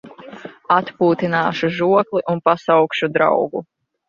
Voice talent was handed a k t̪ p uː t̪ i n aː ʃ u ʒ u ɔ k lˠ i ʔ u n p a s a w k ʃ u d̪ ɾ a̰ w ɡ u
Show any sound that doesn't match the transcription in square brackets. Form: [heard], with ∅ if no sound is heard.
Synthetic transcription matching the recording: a [∅] t̪ p uː t̪ i n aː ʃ u ʒ u ɔ k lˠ i ʔ u n p a s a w k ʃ u d̪ ɾ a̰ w ɡ u